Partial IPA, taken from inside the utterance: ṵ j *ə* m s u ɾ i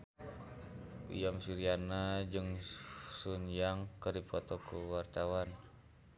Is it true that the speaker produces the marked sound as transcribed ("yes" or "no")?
no